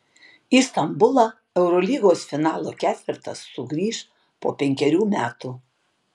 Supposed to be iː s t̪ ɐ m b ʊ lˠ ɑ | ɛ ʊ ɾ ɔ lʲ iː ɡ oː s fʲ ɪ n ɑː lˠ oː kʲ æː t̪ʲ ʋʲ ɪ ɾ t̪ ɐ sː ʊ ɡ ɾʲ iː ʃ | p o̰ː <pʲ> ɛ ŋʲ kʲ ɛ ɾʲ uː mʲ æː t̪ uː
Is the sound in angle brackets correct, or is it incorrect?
correct